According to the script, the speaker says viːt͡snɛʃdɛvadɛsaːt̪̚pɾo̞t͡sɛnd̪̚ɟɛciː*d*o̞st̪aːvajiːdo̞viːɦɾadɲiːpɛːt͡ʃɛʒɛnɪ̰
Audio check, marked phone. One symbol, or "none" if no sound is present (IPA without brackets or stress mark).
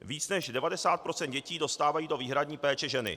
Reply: d